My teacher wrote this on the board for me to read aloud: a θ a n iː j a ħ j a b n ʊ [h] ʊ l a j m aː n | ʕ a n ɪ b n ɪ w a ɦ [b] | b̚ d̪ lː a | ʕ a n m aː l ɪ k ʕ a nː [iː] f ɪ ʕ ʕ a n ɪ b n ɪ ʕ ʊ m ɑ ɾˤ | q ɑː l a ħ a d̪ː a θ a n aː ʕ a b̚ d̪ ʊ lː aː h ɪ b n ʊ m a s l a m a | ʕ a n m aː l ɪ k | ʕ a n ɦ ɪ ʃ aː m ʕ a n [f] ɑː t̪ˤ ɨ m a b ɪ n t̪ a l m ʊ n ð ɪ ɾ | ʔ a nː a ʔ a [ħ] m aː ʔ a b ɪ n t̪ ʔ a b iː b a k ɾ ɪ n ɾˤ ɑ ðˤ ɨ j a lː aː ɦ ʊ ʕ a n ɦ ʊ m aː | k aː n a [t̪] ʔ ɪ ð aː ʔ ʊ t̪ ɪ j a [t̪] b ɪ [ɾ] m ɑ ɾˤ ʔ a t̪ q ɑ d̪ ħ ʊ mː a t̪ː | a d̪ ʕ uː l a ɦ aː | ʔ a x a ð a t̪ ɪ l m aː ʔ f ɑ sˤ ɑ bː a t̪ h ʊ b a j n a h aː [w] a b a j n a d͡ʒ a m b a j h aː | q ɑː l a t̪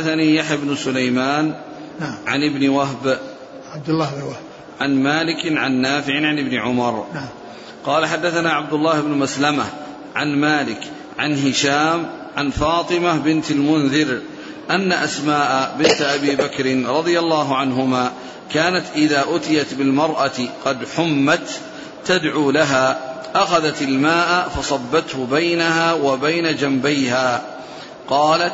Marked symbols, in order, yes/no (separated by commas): no, yes, no, yes, no, yes, yes, no, yes